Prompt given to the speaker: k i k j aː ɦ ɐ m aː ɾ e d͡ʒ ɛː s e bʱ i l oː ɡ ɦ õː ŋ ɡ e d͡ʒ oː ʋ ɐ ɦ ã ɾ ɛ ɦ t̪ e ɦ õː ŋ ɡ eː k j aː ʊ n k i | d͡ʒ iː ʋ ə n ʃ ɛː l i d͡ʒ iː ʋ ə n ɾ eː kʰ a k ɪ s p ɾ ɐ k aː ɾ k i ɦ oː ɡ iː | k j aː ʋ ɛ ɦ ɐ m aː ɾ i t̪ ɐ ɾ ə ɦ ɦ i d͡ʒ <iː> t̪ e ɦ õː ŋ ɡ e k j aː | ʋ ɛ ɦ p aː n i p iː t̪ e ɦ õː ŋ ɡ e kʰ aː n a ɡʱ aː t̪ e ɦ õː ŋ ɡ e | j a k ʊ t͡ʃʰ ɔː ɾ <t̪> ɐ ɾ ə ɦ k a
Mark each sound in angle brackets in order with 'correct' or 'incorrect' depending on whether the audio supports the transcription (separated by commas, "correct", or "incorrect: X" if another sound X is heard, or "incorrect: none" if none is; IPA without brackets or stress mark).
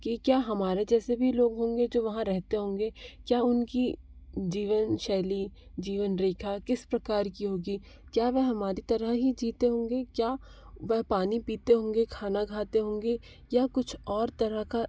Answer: correct, correct